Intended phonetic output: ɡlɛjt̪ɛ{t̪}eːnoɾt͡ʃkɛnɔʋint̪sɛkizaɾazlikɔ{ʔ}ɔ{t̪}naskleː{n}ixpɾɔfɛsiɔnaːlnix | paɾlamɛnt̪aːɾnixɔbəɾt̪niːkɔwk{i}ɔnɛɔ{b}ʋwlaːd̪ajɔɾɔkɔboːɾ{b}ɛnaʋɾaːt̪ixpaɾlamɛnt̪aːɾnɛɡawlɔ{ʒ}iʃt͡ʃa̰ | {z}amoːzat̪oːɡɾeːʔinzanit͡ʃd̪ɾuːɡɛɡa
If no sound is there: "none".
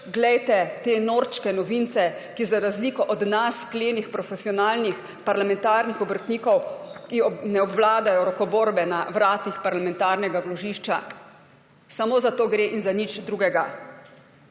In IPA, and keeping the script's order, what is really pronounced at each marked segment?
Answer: t̪, ʔ, d̪, n, i, b, b, ʒ, s

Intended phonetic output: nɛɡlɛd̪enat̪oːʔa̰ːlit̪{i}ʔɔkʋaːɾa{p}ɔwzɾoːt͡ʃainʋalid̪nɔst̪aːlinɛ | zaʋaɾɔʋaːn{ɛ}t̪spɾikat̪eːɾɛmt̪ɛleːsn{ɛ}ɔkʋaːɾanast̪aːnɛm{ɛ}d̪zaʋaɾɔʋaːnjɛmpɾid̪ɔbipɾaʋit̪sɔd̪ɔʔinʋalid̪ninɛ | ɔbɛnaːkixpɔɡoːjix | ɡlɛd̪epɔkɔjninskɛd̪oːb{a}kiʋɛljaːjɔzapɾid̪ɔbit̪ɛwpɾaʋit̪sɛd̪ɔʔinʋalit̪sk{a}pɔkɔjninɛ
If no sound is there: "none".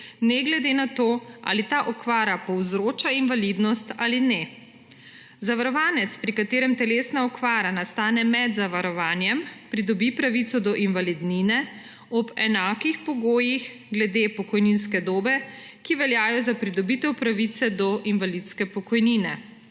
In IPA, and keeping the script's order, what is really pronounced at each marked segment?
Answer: a, p, ɛ, a, ɛ, ɛ, ɛ

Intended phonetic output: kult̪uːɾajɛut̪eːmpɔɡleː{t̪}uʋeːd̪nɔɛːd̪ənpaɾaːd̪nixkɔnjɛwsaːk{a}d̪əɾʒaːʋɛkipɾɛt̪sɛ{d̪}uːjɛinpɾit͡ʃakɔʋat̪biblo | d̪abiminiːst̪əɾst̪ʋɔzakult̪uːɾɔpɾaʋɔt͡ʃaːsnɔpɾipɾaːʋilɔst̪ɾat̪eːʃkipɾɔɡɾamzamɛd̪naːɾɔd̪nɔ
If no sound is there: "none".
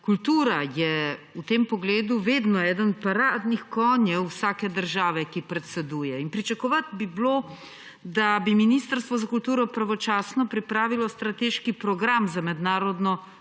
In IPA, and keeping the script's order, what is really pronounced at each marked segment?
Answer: d̪, ɛ, d̪

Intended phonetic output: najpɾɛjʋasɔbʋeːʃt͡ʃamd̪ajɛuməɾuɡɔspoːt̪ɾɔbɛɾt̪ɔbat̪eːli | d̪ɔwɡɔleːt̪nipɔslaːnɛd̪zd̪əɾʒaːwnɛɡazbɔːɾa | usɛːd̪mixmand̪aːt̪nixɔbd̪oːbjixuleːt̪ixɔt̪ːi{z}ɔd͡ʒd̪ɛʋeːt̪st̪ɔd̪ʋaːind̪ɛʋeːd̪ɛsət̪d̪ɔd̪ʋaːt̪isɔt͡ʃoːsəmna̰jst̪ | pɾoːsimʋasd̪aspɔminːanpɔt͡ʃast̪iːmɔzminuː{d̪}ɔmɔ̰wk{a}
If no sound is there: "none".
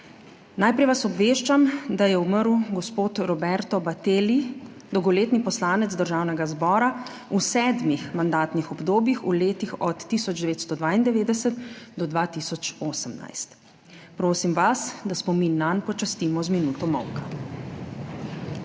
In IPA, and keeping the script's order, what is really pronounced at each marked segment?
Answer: s, t̪, a

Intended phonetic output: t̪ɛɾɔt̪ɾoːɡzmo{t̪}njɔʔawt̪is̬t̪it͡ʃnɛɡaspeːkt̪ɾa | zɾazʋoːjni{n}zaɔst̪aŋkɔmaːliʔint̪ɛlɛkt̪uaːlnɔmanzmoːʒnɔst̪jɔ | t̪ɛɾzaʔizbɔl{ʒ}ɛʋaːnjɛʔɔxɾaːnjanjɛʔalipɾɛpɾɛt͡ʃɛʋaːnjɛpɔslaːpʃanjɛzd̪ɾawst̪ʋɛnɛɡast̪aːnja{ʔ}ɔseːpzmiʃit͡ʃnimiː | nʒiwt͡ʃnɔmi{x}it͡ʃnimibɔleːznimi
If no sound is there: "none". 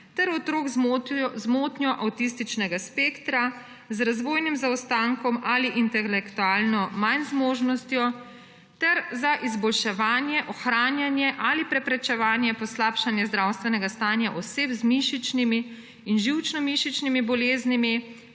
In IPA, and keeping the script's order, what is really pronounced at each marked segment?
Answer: t̪, m, ʃ, ʔ, ʃ

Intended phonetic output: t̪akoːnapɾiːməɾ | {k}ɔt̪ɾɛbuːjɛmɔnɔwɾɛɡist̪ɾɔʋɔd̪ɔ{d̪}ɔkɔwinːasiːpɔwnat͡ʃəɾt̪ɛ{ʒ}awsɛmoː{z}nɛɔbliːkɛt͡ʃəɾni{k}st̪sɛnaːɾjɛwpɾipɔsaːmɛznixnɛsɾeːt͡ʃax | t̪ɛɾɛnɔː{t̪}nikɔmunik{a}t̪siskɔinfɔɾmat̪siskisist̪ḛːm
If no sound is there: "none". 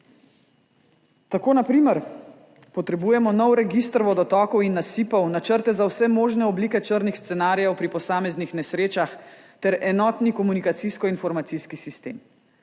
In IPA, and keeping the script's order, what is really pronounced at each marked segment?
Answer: p, t̪, z, ʒ, x, t̪, a

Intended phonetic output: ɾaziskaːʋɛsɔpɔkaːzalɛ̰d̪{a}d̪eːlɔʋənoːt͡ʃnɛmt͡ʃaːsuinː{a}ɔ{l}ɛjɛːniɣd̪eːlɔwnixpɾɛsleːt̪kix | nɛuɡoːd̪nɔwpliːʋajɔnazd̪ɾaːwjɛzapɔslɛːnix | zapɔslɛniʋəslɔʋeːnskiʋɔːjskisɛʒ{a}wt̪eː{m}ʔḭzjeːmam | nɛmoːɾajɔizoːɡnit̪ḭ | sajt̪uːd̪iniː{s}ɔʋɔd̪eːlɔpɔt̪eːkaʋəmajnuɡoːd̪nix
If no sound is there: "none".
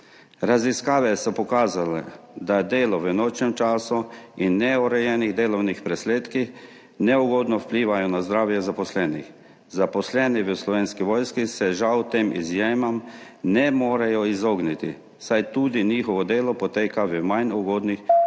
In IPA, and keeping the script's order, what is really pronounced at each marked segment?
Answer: a, ɛ, ɾ, a, m, x

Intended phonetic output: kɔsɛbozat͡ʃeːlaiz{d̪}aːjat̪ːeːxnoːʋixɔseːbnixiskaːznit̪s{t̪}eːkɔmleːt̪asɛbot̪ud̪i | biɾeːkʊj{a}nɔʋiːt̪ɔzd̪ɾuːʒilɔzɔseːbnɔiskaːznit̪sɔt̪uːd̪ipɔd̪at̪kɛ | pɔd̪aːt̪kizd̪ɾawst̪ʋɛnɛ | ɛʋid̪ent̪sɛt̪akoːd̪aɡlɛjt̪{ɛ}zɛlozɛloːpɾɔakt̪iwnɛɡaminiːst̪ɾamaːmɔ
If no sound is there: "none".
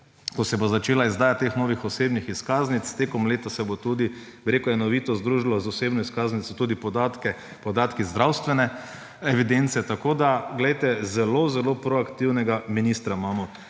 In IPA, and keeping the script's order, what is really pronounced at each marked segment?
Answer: d̪, t̪, ɛ, ɛ

